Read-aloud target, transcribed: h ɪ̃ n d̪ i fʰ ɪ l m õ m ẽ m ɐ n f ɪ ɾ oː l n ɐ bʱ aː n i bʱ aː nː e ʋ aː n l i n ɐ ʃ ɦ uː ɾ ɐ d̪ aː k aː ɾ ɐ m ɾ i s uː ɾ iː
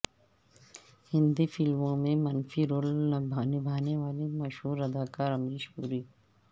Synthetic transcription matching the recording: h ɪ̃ n d̪ i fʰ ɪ l m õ m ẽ m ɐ n f i ɾ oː l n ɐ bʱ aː n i bʱ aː n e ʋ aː l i m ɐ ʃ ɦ uː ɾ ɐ d̪ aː k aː ɾ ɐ m ɾ i ʃ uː ɾ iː